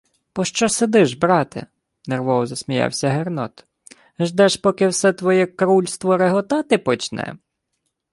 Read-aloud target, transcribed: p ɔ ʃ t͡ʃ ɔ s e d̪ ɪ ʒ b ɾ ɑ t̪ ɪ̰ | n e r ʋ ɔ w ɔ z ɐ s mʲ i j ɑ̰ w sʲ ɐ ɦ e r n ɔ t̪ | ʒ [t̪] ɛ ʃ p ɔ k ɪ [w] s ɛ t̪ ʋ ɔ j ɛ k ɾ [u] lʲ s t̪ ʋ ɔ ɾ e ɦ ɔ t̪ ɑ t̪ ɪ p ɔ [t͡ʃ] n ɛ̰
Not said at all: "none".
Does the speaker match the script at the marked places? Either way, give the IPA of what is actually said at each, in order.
d̪, w, u, t͡ʃ

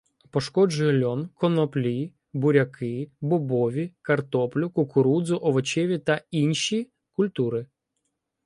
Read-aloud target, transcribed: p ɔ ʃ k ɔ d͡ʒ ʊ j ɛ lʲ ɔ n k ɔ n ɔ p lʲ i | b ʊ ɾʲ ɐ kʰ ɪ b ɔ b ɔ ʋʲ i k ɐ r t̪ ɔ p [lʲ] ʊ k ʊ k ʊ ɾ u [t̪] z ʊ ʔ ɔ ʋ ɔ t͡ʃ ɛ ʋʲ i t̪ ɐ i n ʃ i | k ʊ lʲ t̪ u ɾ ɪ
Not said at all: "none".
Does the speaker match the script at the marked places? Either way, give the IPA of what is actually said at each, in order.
lʲ, d̪

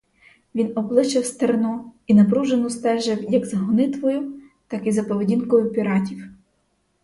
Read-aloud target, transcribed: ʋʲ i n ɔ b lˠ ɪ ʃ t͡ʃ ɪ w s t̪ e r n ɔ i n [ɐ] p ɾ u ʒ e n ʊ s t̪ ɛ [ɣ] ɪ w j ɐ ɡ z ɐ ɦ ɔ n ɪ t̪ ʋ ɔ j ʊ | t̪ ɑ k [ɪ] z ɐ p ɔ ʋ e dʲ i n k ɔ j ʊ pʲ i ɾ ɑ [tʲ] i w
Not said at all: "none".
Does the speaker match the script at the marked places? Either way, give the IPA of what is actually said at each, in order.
ɐ, ʒ, i, tʲ

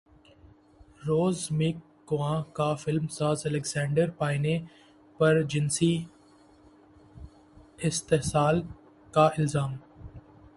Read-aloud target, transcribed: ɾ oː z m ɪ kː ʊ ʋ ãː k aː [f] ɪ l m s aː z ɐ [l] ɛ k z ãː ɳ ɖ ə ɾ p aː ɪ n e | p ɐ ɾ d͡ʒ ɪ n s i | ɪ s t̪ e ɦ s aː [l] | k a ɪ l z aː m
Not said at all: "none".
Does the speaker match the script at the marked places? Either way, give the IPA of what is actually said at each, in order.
f, l, l

